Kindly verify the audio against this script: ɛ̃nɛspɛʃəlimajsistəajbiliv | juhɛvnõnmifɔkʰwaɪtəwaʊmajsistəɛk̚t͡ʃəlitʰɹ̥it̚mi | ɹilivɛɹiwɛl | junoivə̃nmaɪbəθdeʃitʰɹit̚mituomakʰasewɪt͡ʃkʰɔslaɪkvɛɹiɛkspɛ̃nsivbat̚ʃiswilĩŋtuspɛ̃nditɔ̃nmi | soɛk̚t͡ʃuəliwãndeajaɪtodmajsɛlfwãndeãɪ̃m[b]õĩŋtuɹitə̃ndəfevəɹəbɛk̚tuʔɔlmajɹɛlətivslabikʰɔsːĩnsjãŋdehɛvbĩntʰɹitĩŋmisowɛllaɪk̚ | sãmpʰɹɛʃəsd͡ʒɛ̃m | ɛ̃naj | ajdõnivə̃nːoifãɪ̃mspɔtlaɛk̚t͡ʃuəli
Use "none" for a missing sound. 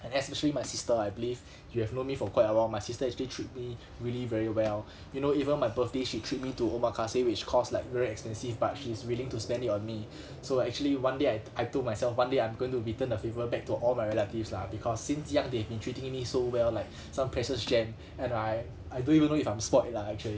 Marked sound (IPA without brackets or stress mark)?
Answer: ɡ